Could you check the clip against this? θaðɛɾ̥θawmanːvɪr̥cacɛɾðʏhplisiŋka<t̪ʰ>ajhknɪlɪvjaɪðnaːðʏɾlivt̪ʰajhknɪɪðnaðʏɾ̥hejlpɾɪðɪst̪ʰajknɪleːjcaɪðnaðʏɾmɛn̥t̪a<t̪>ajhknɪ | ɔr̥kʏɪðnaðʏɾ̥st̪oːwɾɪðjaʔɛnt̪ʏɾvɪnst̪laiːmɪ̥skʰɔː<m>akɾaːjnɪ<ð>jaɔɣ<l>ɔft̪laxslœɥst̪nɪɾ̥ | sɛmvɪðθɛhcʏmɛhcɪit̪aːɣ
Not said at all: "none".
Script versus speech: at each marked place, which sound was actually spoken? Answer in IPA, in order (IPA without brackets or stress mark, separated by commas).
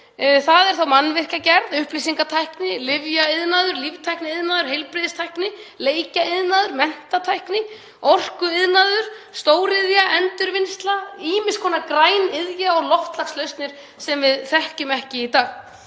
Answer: t̪ʰ, t̪ʰ, n, ð, l